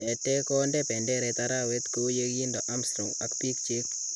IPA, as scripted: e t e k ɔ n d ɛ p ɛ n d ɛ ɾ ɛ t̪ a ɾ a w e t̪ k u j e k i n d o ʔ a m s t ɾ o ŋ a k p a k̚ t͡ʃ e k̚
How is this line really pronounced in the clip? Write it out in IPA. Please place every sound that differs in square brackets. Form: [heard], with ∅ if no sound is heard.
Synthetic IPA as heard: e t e k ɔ n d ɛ p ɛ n d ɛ ɾ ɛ t̪ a ɾ a w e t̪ k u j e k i n d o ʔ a m s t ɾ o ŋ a k p [i] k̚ t͡ʃ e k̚